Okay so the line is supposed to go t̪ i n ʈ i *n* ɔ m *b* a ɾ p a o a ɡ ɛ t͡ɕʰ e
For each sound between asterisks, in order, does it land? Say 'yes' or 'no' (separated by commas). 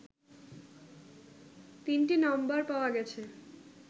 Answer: yes, yes